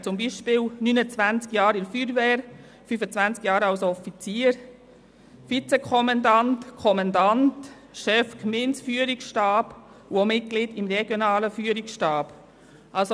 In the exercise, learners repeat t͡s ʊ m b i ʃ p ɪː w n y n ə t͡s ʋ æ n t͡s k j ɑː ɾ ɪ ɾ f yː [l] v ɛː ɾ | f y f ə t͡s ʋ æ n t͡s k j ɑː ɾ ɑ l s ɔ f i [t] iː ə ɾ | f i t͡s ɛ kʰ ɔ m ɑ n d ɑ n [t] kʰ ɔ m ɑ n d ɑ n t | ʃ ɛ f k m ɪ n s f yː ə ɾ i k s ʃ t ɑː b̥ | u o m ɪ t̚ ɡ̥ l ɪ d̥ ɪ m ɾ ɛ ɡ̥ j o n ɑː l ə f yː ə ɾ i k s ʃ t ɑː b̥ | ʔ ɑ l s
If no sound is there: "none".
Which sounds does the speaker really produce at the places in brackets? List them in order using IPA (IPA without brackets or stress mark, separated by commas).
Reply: ɾ, t͡s, t